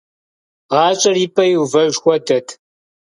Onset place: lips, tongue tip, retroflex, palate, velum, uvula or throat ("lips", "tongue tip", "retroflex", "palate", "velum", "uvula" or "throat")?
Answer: uvula